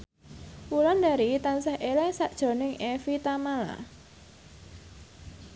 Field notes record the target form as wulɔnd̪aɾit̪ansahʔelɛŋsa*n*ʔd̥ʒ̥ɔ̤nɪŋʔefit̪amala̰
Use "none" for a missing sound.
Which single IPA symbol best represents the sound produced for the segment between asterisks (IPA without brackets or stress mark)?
none